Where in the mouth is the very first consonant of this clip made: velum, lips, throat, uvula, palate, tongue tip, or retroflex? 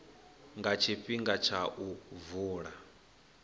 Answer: velum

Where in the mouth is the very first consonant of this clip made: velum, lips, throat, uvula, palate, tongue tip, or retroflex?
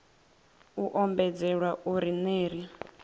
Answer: throat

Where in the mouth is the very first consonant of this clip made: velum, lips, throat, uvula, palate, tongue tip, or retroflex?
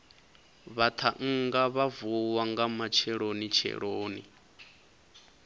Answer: lips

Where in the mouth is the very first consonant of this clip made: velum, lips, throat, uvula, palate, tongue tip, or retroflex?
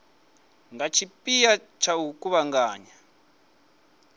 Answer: velum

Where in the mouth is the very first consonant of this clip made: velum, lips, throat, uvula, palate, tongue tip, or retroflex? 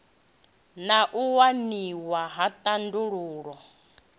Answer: tongue tip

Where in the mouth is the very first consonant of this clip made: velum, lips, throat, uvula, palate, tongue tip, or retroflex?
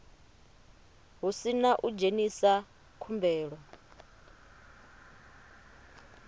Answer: throat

